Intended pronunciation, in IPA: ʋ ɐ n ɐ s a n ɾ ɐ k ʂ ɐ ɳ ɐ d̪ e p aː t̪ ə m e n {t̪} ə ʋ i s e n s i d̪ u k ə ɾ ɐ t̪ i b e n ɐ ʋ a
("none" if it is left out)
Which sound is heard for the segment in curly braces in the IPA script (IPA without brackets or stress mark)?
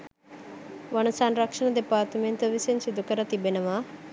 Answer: t̪